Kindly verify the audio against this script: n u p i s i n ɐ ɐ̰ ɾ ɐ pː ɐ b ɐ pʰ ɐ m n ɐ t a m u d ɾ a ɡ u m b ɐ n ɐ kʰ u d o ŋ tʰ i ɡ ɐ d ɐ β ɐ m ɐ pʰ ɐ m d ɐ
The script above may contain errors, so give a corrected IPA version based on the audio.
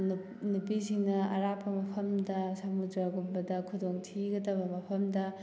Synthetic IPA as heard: n u p i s i n ɐ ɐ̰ ɾ a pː ɐ m ɐ pʰ ɐ m d ɐ s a m u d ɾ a ɡ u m b ɐ d ɐ kʰ u d o ŋ tʰ i ɡ ɐ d ɐ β ɐ m ɐ pʰ ɐ m d ɐ